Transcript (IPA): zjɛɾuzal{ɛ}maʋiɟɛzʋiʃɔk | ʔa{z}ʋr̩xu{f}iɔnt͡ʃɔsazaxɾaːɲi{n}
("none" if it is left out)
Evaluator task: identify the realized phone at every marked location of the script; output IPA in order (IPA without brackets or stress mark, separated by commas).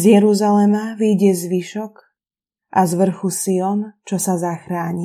ɛ, z, s, none